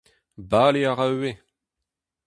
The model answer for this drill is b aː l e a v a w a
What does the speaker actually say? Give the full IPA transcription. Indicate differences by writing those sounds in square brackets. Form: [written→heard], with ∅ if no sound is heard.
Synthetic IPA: b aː l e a [v→ʁ] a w [a→e]